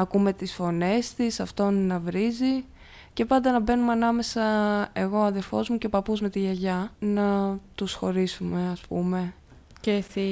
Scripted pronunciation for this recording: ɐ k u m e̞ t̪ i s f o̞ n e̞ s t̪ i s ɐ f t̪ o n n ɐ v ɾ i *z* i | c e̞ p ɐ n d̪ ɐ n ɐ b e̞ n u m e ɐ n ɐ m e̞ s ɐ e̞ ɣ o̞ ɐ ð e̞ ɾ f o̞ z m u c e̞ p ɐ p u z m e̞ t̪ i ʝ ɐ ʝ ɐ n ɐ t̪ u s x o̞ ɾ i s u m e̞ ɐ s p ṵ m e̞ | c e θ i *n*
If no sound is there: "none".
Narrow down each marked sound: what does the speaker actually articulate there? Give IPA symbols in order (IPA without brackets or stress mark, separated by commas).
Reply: z, none